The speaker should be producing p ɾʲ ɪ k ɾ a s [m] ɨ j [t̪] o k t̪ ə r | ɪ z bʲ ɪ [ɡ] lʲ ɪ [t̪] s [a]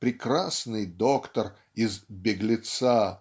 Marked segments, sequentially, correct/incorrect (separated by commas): incorrect, incorrect, correct, correct, correct